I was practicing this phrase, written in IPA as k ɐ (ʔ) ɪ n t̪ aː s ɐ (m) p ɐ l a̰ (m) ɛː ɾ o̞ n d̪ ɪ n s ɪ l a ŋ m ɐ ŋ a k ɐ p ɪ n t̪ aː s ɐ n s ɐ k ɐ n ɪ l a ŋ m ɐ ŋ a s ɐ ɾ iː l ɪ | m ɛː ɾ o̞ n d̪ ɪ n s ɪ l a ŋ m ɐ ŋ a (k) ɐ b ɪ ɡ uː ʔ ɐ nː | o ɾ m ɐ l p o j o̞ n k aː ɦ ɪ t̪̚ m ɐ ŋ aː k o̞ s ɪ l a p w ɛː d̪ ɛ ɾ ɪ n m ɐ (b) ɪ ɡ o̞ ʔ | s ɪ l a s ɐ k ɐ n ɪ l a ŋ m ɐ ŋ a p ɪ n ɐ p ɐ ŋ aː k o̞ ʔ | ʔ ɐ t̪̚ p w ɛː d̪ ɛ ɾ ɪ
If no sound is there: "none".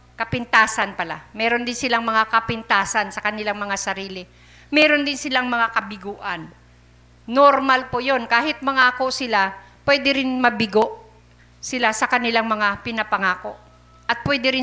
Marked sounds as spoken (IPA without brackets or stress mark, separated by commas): p, n, m, k, b